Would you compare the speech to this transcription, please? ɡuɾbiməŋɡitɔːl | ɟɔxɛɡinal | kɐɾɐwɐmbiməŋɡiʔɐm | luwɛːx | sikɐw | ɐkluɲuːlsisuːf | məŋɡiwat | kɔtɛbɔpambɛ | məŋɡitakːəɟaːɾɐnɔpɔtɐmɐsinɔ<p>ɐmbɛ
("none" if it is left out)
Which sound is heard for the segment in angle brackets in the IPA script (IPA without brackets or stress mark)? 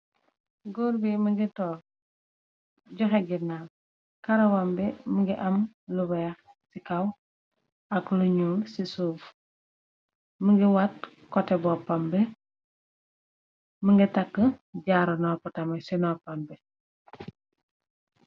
p